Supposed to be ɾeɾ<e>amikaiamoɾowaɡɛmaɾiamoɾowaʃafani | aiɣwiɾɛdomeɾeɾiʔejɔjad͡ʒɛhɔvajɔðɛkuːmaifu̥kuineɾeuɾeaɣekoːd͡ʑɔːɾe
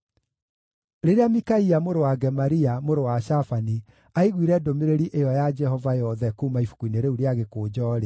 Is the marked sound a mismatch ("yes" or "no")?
no